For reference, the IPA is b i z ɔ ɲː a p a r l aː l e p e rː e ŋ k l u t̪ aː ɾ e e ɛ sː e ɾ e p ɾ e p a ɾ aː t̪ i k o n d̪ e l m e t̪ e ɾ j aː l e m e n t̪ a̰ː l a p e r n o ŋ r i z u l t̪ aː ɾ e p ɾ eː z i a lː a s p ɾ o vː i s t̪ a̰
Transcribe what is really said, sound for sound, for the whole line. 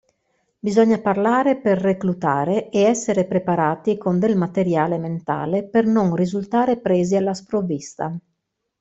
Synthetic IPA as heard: b i z ɔ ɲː a p a r l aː ɾ e p e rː e k l u t̪ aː ɾ e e ɛ sː e ɾ e p ɾ e p a ɾ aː t̪ i k o n d̪ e l m a t̪ e ɾ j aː l e m e n t̪ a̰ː l e p e r n o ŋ r i z u l t̪ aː ɾ e p ɾ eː z i a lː a s p ɾ o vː i s t̪ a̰